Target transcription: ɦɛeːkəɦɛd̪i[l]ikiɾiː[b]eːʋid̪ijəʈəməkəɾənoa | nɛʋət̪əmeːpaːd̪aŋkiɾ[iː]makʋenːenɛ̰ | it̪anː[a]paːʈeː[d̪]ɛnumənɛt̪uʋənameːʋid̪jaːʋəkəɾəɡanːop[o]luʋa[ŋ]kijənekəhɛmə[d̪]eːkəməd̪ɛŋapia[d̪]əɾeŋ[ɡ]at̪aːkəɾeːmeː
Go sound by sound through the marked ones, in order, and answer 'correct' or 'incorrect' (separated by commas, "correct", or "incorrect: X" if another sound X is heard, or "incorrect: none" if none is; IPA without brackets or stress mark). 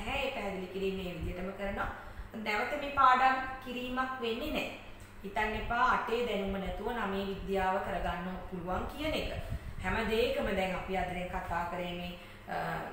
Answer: correct, incorrect: m, correct, incorrect: e, correct, incorrect: u, correct, correct, correct, incorrect: k